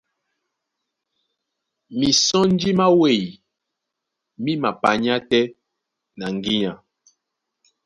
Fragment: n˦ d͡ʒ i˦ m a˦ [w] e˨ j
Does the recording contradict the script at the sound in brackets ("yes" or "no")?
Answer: no